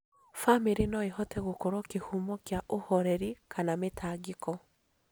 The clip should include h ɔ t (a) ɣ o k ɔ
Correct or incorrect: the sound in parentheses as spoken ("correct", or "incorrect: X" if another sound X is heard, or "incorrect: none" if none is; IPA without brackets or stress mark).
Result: incorrect: ɛ